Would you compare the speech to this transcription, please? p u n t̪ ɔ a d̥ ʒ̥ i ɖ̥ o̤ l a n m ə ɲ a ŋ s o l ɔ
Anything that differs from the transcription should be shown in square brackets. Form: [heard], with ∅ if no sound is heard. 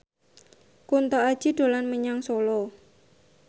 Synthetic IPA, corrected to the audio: [k] u n t̪ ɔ a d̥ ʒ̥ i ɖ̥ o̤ l a n m ə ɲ a ŋ s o l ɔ